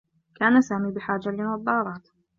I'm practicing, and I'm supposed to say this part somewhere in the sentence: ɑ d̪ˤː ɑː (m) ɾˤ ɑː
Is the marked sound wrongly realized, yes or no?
yes